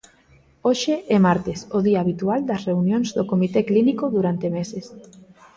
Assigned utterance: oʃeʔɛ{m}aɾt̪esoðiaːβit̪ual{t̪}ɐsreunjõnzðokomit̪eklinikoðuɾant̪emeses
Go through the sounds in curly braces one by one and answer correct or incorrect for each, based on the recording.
correct, incorrect: d̪

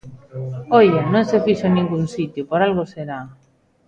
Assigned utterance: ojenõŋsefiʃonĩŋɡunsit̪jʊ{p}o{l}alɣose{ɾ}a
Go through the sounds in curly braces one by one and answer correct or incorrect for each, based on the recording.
correct, incorrect: ɾ, correct

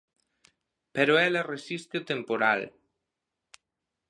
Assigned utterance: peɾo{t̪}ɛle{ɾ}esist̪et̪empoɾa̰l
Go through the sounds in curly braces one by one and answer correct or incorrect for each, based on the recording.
incorrect: none, incorrect: r

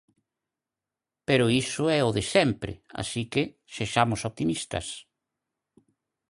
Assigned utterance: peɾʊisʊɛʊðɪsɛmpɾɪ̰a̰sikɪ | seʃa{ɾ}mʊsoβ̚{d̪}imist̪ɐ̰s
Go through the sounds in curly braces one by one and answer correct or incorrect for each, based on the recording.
incorrect: none, incorrect: t̪

